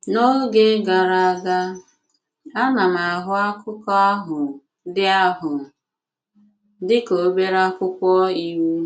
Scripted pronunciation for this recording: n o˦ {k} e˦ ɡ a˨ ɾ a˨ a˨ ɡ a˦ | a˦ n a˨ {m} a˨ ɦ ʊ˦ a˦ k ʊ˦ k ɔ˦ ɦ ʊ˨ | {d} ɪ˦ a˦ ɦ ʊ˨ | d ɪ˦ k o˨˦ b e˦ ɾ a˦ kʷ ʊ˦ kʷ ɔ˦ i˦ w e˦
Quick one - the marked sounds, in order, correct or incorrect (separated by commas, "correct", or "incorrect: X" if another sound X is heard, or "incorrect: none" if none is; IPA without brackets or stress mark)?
incorrect: ɡ, correct, correct